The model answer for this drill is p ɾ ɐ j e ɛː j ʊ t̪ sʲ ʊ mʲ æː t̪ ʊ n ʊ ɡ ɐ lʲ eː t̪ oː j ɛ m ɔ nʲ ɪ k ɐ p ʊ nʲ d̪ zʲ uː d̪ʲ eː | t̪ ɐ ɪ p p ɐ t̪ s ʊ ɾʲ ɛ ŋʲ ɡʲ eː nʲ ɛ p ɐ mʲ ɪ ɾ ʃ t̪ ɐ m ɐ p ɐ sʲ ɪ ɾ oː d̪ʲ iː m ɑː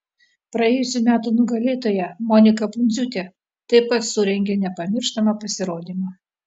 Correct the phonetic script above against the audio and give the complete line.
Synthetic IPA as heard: p ɾ ɐ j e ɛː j ʊ sʲ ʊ mʲ æː t̪ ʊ n ʊ ɡ ɐ lʲ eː t̪ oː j ɛ m ɔ nʲ ɪ k ɐ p ʊ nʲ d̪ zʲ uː t̪ʲ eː | t̪ ɐ ɪ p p ɐ t̪ s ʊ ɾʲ ɛ ŋʲ ɡʲ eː nʲ ɛ p ɐ mʲ ɪ ɾ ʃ t̪ ɐ m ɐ p ɐ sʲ ɪ ɾ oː d̪ʲ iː m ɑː

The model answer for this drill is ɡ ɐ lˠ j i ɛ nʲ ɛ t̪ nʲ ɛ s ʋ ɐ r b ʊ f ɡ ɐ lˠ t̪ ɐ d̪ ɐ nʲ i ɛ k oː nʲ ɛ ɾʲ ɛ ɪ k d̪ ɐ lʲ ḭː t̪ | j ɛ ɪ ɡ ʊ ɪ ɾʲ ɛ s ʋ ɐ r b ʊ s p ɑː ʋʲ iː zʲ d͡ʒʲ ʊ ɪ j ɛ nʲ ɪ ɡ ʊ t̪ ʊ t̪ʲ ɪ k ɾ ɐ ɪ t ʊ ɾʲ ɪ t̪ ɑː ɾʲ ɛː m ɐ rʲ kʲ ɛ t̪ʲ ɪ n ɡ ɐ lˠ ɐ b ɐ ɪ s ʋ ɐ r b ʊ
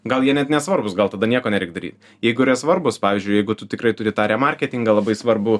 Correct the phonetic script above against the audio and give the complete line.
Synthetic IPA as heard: ɡ ɐ lˠ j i ɛ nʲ ɛ t̪ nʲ ɛ s ʋ ɐ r b ʊ s ɡ ɐ lˠ t̪ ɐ d̪ ɐ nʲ i ɛ k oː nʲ ɛ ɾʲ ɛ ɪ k d̪ ɐ ɾʲ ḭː t̪ | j ɛ ɪ ɡ ʊ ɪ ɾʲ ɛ s ʋ ɐ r b ʊ s p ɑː ʋʲ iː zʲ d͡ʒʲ ʊ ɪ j ɛ ɪ ɡ ʊ t̪ ʊ t̪ʲ ɪ k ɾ ɐ ɪ t ʊ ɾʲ ɪ t̪ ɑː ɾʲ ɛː m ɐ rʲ kʲ ɛ t̪ʲ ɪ ŋ ɡ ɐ lˠ ɐ b ɐ ɪ s ʋ ɐ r b ʊ

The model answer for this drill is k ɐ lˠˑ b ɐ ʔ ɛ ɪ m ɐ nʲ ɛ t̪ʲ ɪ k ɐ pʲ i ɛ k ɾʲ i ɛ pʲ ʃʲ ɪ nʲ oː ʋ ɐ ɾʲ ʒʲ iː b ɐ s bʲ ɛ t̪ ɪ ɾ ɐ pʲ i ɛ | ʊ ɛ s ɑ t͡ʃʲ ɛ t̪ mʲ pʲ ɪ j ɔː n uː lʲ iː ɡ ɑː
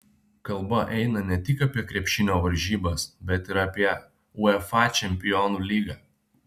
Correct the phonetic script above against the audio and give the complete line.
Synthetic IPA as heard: k ɐ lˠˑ b ɐ ʔ ɛ ɪ n ɐ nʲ ɛ t̪ʲ ɪ k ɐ pʲ i ɛ k ɾʲ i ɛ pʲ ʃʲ ɪ nʲ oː ʋ ɐ ɾʲ ʒʲ iː b ɐ s bʲ ɛ t̪ ɪ ɾ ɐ pʲ i ɛ | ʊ ɛ f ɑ t͡ʃʲ ɛ mʲ pʲ ɪ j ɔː n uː lʲ iː ɡ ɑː

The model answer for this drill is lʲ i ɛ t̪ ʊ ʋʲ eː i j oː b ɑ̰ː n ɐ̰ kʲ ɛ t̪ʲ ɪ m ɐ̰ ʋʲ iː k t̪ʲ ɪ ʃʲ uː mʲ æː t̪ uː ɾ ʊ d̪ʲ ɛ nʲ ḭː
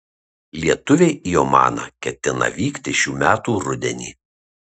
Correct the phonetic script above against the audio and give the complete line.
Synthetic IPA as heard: lʲ i ɛ t̪ ʊ ʋʲ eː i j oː m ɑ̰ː n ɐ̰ kʲ ɛ t̪ʲ ɪ n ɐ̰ ʋʲ iː k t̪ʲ ɪ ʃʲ uː mʲ æː t̪ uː ɾ ʊ d̪ʲ ɛ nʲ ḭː

